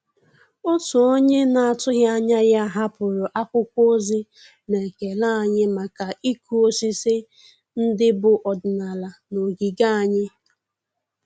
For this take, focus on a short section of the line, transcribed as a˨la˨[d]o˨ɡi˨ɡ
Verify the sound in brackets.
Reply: incorrect: n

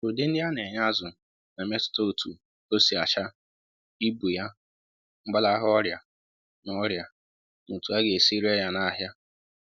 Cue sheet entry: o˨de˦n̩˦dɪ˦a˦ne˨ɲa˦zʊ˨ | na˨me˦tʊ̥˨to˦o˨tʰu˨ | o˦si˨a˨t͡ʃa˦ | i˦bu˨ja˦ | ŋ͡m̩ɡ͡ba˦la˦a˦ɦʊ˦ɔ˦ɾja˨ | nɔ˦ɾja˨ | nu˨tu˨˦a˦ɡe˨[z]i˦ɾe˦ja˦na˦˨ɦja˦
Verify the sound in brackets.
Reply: incorrect: s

